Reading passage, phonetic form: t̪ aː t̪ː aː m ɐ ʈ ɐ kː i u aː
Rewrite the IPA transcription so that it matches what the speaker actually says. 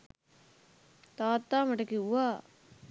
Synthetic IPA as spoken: t̪ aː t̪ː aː m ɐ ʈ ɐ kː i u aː